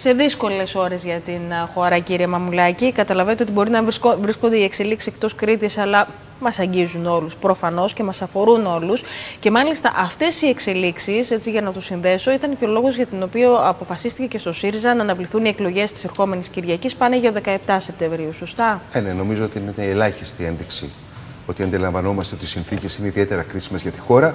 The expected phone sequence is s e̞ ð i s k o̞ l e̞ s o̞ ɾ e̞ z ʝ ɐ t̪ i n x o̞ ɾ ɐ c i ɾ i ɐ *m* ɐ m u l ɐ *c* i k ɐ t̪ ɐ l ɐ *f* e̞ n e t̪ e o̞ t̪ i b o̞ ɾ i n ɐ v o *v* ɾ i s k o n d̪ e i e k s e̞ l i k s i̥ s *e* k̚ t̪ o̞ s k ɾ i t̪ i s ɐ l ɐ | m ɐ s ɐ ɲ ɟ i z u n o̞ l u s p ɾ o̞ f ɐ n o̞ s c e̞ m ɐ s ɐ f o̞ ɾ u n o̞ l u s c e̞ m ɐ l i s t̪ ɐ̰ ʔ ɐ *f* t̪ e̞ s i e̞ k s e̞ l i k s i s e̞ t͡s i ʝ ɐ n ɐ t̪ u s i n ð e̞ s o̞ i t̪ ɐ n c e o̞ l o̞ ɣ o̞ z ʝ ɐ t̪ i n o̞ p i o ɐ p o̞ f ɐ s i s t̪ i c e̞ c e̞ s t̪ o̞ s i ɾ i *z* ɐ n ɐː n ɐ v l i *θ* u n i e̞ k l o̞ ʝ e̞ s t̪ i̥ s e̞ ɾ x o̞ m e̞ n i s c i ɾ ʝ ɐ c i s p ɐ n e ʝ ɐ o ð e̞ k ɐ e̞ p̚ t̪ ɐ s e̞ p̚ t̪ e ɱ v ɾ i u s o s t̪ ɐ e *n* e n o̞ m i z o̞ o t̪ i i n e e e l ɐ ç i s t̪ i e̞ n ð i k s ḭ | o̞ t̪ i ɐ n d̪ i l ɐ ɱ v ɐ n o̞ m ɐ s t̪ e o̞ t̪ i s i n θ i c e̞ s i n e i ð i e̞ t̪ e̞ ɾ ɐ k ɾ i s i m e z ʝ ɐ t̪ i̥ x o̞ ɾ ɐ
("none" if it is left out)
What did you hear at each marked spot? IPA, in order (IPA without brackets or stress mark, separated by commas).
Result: m, c, v, v, e, f, z, θ, n